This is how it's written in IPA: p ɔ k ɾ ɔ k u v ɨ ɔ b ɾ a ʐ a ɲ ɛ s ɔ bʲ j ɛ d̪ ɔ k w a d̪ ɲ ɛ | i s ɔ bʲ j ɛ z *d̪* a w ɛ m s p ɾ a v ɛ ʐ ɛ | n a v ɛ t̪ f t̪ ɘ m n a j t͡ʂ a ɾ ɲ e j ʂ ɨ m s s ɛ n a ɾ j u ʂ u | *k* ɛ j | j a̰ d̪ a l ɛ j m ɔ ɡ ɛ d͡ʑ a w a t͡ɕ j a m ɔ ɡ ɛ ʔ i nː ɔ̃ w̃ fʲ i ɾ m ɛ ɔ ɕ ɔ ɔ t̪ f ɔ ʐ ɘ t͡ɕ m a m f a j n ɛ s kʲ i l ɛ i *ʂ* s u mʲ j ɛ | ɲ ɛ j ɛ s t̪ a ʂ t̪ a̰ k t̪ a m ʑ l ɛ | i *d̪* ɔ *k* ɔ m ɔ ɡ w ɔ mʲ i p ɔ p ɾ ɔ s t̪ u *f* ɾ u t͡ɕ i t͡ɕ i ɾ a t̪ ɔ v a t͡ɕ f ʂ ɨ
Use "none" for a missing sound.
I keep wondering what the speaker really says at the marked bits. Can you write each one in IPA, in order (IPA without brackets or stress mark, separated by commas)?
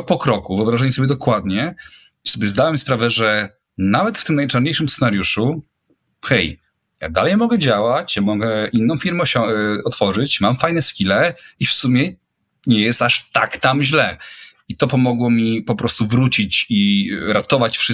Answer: d̪, x, f, t̪, p, v